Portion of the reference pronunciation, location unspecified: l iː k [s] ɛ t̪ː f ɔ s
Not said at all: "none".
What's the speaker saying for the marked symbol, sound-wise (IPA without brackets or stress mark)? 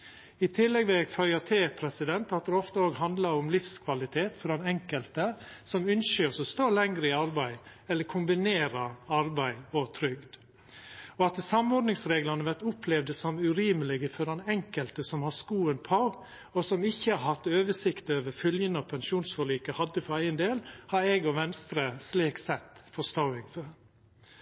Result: s